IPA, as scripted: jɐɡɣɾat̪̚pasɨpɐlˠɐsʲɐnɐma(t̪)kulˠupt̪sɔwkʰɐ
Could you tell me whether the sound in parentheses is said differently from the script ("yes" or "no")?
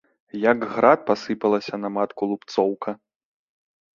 no